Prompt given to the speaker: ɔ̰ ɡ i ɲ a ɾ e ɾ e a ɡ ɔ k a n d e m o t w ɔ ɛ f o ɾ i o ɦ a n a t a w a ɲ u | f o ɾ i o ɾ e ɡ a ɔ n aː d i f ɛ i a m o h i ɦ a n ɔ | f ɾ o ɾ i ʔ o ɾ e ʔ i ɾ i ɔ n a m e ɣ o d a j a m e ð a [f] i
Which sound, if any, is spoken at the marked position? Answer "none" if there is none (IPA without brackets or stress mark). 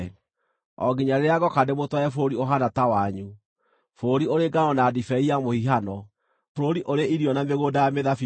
f